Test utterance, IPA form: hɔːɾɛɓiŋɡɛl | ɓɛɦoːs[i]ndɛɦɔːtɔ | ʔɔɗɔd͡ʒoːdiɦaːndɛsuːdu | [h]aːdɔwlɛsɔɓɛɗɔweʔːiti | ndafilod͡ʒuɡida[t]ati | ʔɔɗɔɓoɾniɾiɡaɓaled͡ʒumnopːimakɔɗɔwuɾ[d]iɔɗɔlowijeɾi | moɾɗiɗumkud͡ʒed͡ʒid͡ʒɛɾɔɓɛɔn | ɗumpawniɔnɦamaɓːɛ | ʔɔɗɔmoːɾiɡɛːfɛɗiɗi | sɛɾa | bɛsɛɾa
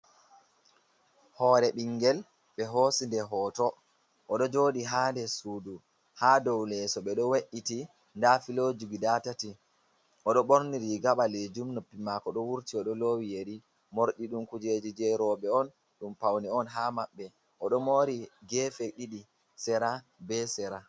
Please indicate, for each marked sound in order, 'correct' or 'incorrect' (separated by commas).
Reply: correct, correct, correct, incorrect